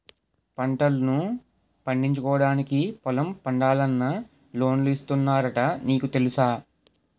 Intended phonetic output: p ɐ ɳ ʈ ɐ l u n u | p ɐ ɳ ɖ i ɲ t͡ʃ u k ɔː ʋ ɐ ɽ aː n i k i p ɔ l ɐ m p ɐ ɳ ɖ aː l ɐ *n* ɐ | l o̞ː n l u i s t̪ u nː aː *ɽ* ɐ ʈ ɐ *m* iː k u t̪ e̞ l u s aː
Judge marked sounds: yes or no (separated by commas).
no, no, no